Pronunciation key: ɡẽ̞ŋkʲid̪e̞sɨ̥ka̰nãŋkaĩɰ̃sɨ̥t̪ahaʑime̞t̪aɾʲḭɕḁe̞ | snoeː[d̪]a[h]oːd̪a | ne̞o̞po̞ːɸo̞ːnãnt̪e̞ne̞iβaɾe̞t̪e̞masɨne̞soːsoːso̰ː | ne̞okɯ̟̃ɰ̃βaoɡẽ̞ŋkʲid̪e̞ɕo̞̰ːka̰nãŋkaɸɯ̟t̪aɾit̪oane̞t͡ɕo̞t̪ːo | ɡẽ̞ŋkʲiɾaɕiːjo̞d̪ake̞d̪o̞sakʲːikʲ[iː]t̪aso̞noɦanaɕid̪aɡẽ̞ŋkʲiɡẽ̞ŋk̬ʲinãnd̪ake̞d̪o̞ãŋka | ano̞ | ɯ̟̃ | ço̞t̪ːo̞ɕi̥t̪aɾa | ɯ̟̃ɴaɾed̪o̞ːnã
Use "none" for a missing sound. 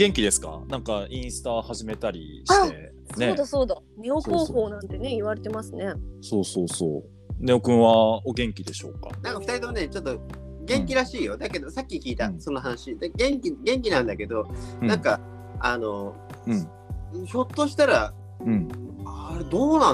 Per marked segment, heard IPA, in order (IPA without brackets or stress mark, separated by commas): d̪, s, iː